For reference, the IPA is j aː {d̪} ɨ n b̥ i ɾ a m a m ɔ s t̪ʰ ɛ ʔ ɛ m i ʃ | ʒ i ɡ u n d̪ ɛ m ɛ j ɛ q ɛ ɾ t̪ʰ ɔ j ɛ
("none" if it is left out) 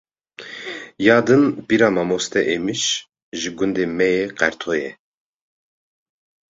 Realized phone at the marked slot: d̪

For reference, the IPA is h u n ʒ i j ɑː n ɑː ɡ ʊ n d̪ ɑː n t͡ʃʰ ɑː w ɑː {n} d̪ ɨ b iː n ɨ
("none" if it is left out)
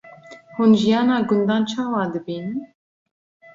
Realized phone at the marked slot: none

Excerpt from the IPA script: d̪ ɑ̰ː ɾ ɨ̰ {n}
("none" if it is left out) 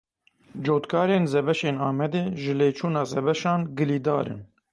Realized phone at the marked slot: n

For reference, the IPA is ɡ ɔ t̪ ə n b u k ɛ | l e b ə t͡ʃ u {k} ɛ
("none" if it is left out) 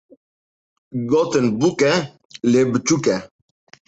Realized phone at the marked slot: k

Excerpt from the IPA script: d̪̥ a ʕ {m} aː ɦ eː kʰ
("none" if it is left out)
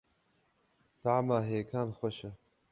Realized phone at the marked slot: m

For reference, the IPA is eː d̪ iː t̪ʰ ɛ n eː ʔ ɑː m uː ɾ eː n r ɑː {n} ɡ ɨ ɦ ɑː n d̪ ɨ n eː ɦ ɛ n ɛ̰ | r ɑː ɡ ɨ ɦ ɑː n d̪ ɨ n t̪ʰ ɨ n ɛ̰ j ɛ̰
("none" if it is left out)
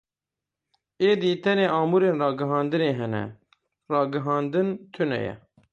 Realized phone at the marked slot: none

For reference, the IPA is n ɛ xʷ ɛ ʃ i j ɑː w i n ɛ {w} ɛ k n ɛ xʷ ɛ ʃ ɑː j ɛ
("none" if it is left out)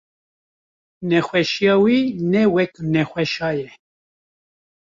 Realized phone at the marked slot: w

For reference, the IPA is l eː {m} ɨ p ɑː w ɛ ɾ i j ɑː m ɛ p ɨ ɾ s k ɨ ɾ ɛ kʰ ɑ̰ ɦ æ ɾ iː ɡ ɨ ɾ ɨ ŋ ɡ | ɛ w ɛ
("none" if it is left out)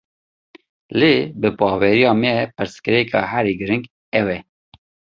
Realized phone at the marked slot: b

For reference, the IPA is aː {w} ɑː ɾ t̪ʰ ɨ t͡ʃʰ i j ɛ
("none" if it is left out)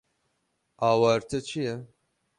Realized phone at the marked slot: w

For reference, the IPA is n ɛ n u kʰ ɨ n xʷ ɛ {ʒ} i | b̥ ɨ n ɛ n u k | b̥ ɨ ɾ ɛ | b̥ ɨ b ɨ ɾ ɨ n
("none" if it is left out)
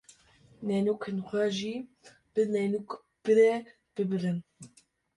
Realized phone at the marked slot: ʒ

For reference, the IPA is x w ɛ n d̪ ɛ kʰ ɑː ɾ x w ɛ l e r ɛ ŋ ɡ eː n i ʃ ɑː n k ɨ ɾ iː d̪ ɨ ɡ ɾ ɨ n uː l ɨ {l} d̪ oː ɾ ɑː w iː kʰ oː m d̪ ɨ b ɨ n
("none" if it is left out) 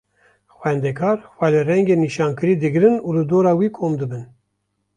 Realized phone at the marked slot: none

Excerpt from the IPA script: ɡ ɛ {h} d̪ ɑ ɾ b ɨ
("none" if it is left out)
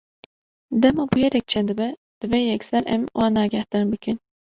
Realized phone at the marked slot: h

